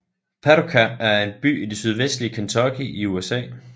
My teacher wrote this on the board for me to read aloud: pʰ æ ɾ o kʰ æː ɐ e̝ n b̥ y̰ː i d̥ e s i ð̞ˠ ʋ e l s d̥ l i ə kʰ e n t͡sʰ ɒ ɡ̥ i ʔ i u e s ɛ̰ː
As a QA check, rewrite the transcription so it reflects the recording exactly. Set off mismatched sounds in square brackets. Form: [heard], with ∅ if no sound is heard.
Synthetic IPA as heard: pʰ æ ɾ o kʰ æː ɐ e̝ n b̥ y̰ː i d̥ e s [y] ð̞ˠ ʋ e [∅] s d̥ l i ə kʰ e n t͡sʰ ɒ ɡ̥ i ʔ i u e s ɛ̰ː